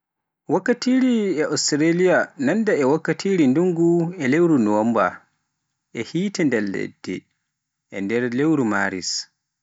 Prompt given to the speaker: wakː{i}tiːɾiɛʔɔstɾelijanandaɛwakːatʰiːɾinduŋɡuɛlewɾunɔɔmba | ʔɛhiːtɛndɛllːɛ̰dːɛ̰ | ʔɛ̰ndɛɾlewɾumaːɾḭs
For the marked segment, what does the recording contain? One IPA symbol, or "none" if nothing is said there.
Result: a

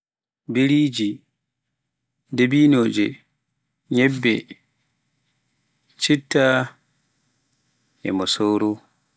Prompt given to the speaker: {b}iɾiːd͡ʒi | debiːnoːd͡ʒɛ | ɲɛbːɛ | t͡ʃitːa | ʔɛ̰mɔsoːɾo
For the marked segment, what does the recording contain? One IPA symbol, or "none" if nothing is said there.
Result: b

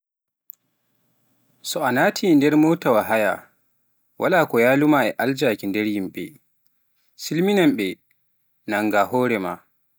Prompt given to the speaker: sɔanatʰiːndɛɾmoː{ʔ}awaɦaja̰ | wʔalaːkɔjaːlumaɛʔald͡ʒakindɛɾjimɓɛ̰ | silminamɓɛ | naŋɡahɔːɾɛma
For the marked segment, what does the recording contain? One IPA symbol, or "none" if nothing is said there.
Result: t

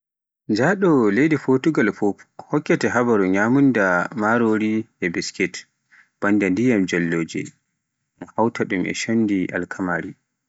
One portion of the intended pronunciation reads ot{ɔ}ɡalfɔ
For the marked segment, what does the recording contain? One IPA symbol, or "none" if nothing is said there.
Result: u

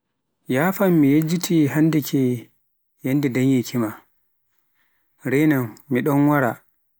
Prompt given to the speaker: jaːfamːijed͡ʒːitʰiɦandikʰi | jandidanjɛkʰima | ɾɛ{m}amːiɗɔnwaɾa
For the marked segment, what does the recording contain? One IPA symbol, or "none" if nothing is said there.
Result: n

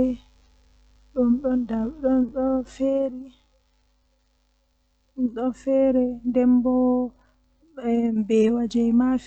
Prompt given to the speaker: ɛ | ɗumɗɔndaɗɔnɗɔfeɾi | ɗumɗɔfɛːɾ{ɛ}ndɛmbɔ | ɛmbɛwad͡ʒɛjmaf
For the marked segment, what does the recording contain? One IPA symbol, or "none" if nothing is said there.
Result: ɛ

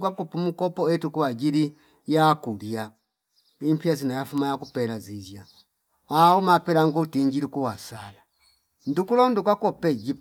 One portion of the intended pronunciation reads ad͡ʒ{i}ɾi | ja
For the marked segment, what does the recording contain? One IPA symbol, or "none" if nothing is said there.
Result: i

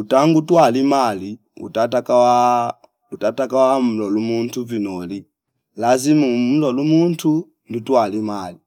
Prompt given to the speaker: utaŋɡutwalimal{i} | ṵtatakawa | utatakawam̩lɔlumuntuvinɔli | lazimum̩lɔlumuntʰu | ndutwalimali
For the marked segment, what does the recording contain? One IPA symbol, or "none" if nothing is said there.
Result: i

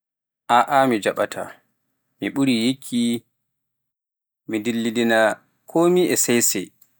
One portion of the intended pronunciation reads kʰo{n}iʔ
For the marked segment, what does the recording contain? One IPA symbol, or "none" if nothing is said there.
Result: m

